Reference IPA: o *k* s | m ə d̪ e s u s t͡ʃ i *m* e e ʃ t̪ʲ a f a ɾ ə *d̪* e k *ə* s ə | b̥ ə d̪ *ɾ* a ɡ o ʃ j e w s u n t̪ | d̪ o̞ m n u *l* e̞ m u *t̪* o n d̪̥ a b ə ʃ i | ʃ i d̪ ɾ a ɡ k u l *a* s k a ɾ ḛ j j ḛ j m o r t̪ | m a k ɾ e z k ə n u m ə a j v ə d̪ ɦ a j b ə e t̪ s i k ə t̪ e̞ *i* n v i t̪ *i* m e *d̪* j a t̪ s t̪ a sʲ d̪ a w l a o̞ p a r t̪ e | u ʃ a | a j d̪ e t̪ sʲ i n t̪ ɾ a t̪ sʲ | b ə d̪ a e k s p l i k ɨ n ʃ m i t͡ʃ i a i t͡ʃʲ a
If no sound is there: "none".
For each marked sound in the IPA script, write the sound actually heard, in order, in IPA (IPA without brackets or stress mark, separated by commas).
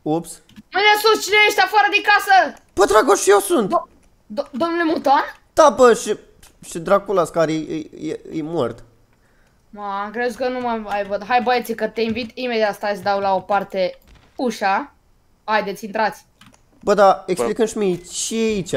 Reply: p, n, d̪, a, ɾ, l, t̪, a, i, i, d̪